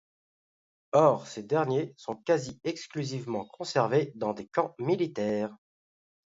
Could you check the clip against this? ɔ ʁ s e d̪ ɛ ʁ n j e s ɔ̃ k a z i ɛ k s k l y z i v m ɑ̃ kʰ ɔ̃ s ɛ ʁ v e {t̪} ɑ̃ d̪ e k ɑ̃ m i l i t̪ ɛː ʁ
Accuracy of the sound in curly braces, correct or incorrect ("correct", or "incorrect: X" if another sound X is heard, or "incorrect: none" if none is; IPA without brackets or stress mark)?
incorrect: d̪